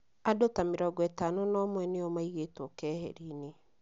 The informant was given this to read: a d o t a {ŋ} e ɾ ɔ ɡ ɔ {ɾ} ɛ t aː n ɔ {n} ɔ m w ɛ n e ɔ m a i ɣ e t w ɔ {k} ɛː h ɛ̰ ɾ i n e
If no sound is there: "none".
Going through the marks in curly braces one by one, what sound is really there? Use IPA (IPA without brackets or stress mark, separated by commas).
m, none, n, k